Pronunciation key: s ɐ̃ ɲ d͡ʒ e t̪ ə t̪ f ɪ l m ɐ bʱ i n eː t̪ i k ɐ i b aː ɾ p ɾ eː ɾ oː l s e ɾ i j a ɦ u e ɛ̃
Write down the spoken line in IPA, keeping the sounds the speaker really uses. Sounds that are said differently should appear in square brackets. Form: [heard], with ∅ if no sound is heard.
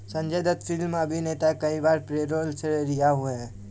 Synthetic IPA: s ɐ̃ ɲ d͡ʒ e [d̪] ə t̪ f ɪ l m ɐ bʱ i n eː t̪ [a] k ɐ i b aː ɾ p ɾ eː ɾ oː l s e ɾ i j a ɦ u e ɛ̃